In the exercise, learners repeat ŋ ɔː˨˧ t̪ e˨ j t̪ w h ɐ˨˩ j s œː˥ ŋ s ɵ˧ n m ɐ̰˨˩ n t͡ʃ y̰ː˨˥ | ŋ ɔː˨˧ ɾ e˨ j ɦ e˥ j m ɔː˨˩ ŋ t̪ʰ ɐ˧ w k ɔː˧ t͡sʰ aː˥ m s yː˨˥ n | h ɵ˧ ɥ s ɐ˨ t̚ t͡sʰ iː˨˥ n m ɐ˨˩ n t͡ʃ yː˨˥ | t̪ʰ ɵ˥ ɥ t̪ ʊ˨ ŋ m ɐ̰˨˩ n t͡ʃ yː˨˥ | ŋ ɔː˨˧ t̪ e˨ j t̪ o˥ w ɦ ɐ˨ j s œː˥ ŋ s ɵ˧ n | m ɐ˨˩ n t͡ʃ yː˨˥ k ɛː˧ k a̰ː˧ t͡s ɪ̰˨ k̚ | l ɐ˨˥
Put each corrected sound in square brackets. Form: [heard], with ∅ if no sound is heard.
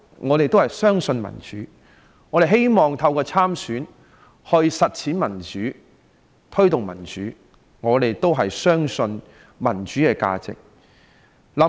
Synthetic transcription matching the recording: ŋ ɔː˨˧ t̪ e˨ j t̪ w h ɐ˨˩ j s œː˥ ŋ s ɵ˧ n m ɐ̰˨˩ n t͡ʃ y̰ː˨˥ | ŋ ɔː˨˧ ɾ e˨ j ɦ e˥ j m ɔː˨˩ ŋ t̪ʰ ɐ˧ w k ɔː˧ t͡sʰ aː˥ m s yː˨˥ n | h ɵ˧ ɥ s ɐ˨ t̚ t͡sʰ iː˨˥ n m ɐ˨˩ n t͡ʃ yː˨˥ | t̪ʰ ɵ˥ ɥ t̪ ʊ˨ ŋ m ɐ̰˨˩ n t͡ʃ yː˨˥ | ŋ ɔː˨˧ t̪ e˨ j t̪ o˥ w ɦ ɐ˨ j s œː˥ ŋ s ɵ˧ n | m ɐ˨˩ n t͡ʃ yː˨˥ k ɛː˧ k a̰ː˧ t͡s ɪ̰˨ k̚ | l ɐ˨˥